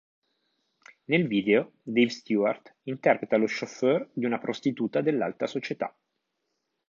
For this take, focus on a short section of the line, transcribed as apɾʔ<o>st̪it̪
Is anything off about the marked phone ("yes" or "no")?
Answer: no